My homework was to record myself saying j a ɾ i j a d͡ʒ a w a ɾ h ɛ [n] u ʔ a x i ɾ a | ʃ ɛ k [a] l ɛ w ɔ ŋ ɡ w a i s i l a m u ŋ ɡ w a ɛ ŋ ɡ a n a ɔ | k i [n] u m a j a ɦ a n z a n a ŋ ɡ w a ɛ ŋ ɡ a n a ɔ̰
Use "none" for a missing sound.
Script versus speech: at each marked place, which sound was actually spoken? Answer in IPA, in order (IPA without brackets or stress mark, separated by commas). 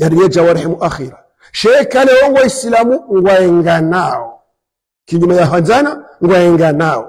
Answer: m, a, ɲ